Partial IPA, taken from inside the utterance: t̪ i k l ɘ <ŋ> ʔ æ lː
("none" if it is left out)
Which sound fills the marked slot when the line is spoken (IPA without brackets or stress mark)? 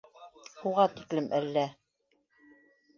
m